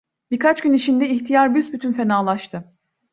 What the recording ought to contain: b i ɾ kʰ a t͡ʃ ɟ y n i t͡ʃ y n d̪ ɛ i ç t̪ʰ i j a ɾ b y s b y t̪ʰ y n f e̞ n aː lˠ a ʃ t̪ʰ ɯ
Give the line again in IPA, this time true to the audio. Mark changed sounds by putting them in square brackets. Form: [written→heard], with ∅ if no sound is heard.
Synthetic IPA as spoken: b i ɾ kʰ a t͡ʃ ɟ y n i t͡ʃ [y→i] n d̪ ɛ i ç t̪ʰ i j a ɾ b y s b y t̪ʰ y n f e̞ n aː lˠ a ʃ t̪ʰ ɯ